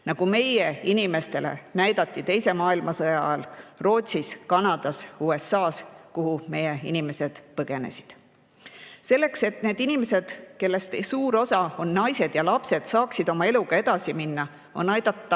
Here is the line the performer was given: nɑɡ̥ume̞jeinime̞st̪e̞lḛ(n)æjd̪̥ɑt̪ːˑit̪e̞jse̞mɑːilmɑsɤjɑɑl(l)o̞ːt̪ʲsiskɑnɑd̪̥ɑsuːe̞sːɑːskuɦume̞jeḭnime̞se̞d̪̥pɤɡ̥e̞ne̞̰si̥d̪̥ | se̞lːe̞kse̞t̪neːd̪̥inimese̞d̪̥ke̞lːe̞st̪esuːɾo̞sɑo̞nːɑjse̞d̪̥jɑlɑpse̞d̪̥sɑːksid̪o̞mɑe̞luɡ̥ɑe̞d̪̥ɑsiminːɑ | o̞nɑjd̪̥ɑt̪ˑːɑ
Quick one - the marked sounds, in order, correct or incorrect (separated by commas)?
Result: correct, incorrect